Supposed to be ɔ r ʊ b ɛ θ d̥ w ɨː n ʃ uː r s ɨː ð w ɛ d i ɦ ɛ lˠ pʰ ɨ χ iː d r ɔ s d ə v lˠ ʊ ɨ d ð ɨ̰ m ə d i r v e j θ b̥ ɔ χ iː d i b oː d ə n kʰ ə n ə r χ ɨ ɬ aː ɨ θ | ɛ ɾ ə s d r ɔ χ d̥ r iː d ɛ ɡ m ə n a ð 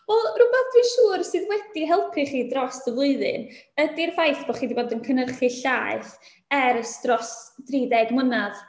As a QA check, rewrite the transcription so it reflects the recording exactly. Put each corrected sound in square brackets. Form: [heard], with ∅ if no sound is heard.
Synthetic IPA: ɔ r ʊ b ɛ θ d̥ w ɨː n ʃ uː r s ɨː ð w ɛ d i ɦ ɛ lˠ pʰ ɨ χ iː d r ɔ s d ə v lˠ ʊ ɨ [∅] ð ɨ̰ [n] ə d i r v [a] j θ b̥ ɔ χ iː d i b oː d ə n kʰ ə n ə r χ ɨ ɬ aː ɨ θ | ɛ ɾ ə s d r ɔ [s] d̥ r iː d ɛ ɡ m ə n a ð